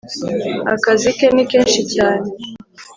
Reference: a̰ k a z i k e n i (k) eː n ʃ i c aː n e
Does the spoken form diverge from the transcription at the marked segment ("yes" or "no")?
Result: no